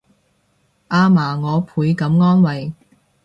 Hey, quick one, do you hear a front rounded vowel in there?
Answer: no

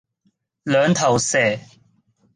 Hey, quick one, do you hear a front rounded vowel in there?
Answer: yes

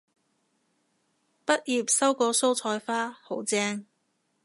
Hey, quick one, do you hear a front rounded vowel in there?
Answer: no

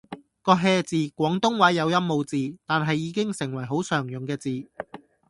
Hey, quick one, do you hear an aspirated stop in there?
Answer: no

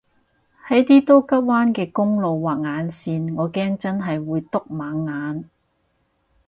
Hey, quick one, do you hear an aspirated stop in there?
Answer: no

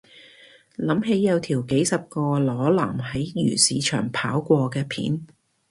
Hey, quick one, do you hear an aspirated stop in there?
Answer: yes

